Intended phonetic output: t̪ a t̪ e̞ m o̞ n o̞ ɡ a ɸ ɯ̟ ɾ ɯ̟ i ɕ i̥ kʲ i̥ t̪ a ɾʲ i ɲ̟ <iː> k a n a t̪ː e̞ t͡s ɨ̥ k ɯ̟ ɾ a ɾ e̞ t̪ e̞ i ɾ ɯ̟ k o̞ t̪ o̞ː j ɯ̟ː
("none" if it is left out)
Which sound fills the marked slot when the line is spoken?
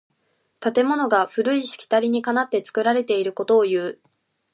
i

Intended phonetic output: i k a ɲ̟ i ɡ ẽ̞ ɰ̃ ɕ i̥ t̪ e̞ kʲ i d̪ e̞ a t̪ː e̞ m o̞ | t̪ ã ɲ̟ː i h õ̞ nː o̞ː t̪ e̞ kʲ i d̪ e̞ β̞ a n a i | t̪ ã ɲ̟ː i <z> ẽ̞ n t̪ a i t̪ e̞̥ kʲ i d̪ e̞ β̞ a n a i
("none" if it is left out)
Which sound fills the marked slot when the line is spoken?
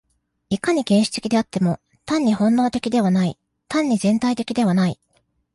z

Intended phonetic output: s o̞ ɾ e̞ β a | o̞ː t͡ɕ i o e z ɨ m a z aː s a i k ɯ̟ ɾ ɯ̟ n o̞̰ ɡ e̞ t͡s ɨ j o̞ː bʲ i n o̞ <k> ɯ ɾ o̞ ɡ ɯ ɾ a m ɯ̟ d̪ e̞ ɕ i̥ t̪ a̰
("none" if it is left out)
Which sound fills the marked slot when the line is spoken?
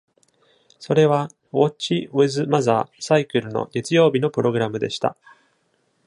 p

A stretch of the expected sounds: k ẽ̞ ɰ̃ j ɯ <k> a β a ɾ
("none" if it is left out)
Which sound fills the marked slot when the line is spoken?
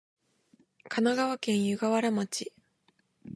ɡ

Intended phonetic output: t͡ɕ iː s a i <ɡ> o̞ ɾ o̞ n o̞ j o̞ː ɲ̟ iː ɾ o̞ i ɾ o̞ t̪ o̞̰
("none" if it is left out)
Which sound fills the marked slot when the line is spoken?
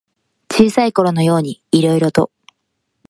k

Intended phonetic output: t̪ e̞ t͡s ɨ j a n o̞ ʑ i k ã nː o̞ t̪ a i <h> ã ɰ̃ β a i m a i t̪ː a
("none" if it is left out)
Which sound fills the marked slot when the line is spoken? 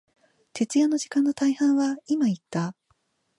h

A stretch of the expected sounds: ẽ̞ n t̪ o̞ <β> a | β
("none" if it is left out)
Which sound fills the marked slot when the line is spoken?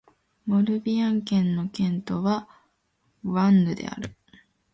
β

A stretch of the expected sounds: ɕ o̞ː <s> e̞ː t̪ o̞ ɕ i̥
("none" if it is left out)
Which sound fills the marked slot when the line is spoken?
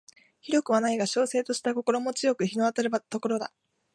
s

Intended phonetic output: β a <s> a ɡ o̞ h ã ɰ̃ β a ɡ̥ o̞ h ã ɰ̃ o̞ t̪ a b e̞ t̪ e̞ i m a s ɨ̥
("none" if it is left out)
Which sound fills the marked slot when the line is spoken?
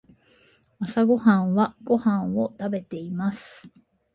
s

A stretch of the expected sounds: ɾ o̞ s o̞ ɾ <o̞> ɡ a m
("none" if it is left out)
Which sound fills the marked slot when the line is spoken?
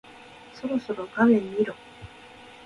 o̞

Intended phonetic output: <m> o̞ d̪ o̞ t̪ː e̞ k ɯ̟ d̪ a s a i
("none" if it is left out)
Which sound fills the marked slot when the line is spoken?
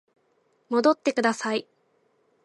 m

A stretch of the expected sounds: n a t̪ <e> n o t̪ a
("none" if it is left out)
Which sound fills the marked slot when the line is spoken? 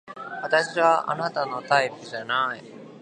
a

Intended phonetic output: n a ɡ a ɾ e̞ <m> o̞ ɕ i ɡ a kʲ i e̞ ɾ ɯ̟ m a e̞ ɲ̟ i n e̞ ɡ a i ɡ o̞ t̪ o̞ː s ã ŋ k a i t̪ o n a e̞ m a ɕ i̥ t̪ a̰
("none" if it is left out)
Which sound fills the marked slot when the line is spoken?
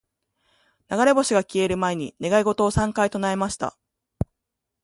b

